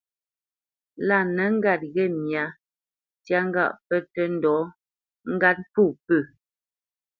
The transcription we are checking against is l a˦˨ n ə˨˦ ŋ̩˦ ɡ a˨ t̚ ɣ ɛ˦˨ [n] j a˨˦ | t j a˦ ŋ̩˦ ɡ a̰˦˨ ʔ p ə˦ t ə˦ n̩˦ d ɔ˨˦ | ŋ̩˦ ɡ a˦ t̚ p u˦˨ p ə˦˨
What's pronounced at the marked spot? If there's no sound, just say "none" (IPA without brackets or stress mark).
m